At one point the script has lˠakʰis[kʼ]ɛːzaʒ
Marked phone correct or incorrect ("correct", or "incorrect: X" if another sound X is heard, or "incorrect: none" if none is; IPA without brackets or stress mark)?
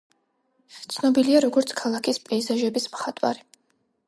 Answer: incorrect: pʼ